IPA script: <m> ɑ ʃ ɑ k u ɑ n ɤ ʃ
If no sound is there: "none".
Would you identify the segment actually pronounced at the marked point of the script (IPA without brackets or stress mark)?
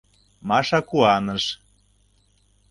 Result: m